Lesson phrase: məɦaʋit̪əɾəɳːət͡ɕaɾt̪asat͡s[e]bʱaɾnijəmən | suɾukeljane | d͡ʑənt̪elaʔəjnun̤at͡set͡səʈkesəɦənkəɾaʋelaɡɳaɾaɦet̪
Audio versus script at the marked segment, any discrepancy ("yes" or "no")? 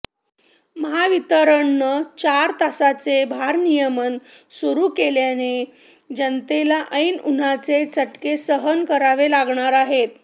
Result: no